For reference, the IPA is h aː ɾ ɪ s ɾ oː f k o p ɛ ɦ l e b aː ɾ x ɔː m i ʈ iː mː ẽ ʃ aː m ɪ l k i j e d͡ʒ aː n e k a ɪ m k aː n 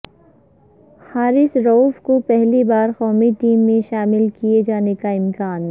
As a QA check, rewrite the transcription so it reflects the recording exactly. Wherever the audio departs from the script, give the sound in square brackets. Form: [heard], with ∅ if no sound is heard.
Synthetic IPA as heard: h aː ɾ ɪ s ɾ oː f k o p ɛ ɦ l [i] b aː ɾ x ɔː m i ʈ iː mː ẽ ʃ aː m ɪ l k i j e d͡ʒ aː n e k a ɪ m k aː n